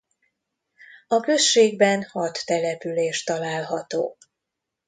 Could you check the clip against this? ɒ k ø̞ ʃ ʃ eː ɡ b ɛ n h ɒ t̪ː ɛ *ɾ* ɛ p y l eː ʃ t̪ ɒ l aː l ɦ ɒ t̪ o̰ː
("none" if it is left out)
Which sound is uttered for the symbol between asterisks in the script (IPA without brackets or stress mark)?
l